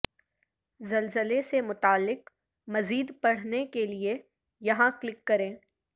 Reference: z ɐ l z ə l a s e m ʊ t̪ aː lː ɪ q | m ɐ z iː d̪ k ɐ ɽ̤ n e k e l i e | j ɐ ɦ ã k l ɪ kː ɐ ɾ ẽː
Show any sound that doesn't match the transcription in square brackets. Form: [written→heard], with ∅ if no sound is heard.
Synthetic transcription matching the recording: z ɐ l z ə l [a→e] s e m ʊ t̪ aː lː ɪ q | m ɐ z iː d̪ [k→p] ɐ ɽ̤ n e k e l i e | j ɐ ɦ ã k l ɪ kː ɐ ɾ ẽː

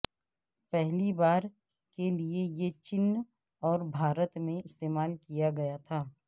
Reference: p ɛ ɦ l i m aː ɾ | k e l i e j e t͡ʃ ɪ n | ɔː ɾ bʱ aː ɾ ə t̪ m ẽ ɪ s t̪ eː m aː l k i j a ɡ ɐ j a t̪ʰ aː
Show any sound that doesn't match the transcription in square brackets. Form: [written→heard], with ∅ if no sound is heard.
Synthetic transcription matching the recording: p ɛ ɦ l i [m→b] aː ɾ | k e l i e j e t͡ʃ ɪ n | ɔː ɾ bʱ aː ɾ ə t̪ m ẽ ɪ s t̪ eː m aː l k i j a ɡ ɐ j a t̪ʰ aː

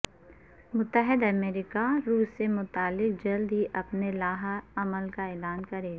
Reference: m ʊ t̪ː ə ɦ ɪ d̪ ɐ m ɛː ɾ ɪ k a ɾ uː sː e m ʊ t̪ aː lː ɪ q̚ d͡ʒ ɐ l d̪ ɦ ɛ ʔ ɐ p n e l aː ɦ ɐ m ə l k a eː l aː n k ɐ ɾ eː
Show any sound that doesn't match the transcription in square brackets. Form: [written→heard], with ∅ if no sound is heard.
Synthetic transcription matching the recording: m ʊ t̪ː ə ɦ ɪ d̪ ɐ m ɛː ɾ ɪ k a ɾ uː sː e m ʊ t̪ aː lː ɪ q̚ d͡ʒ ɐ l d̪ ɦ [ɛ→i] ʔ ɐ p n e l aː ɦ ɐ m ə l k a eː l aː n k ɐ ɾ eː

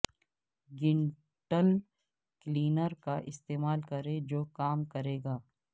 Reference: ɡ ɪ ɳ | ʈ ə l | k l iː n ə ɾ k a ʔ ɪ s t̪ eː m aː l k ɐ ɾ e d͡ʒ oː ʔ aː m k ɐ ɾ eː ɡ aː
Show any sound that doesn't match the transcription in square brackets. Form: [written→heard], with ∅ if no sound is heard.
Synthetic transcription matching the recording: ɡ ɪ ɳ | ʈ ə l | k l iː n ə ɾ k a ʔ ɪ s t̪ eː m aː l k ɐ ɾ e d͡ʒ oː [ʔ→k] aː m k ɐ ɾ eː ɡ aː

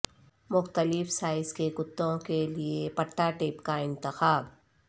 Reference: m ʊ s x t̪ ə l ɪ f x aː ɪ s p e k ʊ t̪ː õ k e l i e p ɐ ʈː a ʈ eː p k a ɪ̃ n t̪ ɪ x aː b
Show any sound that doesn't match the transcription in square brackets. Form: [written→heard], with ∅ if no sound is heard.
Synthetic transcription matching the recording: m ʊ [s→∅] x t̪ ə l ɪ f [x→s] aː ɪ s [p→k] e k ʊ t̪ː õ k e l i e p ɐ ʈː a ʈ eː p k a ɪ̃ n t̪ ɪ x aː b

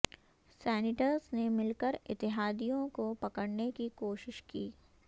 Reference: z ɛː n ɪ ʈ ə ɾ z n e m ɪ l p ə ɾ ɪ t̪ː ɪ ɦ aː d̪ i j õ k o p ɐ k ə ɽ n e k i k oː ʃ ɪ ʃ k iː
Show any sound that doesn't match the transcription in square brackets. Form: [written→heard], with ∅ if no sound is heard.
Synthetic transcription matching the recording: [z→s] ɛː n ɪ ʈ ə ɾ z n e m ɪ l [p→k] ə ɾ ɪ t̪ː ɪ ɦ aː d̪ i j õ k o p ɐ k ə ɽ n e k i k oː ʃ ɪ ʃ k iː

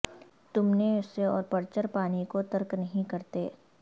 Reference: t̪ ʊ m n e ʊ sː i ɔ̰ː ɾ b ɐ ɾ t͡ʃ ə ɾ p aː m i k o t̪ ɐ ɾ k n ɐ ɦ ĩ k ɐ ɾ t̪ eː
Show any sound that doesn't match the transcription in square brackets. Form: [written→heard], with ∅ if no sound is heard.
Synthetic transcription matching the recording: t̪ ʊ m n e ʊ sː [i→e] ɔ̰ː ɾ [b→p] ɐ ɾ t͡ʃ ə ɾ p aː [m→n] i k o t̪ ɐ ɾ k n ɐ ɦ ĩ k ɐ ɾ t̪ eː

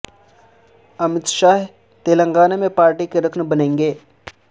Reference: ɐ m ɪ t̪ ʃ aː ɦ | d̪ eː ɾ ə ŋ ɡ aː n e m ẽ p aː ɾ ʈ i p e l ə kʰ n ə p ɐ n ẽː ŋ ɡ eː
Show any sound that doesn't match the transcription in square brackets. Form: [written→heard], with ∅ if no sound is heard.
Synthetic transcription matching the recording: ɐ m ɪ t̪ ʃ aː ɦ | [d̪→t̪] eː [ɾ→l] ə ŋ ɡ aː n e m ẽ p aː ɾ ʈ i [p→k] e [l→ɾ] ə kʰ n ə [p→b] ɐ n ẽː ŋ ɡ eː

